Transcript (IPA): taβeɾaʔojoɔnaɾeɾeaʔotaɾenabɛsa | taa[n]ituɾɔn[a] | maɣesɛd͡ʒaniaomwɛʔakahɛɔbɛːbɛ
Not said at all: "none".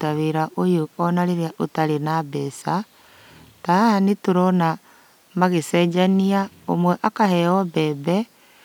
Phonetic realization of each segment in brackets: n, a

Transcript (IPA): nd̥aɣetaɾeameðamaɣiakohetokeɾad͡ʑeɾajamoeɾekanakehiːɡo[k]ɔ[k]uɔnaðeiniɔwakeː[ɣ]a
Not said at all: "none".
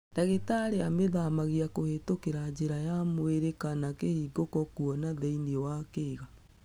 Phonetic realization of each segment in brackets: k, k, ɣ

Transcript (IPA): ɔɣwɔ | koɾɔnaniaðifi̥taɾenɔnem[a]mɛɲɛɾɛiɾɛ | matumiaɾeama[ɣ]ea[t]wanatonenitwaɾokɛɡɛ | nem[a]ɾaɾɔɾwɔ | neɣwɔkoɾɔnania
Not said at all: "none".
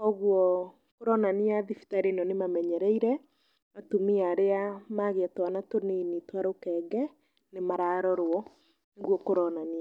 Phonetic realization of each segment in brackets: a, ɣ, t, a

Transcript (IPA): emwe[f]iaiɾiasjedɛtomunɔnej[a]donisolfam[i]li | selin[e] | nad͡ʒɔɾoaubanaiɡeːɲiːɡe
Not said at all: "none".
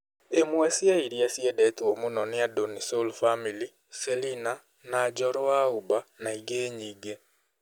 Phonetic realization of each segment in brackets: s, a, i, a

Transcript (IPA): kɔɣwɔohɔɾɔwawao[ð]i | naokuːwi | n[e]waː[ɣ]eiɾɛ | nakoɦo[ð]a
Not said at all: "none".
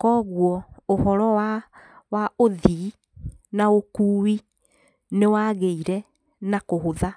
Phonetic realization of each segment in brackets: ð, e, ɣ, ð

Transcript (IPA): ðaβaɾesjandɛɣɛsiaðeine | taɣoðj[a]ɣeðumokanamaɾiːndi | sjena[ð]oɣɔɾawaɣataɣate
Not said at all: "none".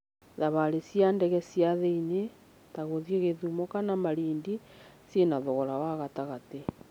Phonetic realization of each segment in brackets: e, ð

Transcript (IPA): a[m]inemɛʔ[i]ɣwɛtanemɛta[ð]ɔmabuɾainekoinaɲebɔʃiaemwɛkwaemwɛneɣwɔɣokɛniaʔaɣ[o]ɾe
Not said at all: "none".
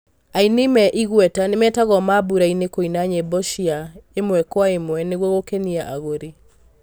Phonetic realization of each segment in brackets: none, i, ɣ, o

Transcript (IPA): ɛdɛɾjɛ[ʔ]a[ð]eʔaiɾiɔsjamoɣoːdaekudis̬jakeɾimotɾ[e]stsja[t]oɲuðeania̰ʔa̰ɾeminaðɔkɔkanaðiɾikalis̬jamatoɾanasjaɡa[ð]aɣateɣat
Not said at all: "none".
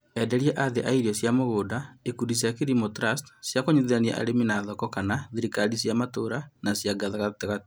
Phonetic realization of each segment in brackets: ʔ, ð, a, k, ð

